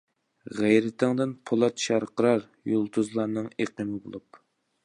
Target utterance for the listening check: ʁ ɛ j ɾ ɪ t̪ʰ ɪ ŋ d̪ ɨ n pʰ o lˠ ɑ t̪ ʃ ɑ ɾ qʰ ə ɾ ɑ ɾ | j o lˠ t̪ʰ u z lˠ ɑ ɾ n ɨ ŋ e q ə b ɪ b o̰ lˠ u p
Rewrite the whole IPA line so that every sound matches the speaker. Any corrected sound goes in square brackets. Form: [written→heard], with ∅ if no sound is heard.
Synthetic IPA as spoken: ʁ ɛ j ɾ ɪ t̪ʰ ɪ ŋ d̪ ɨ n pʰ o lˠ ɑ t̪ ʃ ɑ ɾ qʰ ə ɾ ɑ ɾ | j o lˠ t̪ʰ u z lˠ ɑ ɾ n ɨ ŋ e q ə [b→m] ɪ b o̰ lˠ u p